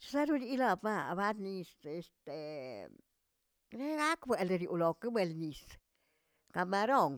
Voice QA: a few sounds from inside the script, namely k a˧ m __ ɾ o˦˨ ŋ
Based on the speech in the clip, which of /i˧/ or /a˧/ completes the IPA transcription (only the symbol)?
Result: a˧